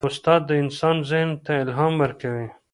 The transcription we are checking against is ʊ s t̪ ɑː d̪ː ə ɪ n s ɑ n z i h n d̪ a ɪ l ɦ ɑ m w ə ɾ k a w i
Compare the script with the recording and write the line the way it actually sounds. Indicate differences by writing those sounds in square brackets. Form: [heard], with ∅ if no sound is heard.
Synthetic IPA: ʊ s t̪ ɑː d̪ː ə ɪ n s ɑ n z [ɪ] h n [t̪] a ɪ l ɦ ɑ m w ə ɾ k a w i